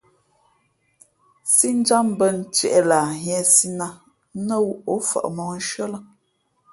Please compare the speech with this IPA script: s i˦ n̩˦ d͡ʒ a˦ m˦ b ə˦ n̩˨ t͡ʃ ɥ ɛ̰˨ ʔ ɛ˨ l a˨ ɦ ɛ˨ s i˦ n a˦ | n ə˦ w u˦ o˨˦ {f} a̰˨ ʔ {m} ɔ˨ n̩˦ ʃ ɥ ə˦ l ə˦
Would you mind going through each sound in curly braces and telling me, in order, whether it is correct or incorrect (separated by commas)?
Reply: correct, correct